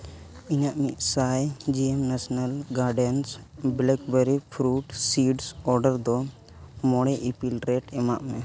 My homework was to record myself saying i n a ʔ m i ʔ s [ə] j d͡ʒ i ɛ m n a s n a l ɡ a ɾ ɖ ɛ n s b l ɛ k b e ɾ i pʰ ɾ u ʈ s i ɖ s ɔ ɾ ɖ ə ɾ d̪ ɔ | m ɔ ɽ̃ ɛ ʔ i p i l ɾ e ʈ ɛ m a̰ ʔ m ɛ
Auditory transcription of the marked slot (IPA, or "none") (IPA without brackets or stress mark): a